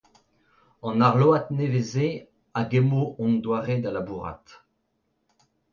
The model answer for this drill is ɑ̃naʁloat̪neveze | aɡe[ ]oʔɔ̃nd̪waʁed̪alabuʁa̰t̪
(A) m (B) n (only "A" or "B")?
A